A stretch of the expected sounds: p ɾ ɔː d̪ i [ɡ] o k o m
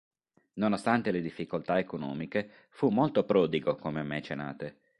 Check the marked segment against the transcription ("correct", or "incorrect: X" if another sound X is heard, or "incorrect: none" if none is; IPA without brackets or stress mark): correct